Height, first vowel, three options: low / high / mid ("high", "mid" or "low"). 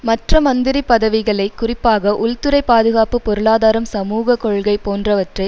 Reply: low